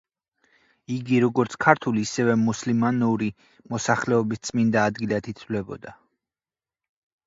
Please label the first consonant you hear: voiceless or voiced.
voiced